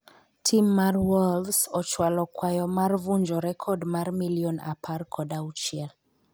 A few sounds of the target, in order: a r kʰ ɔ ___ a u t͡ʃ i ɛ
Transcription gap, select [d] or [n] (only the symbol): d